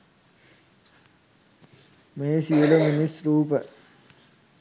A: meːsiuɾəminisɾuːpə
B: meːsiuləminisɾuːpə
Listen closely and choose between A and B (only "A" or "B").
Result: B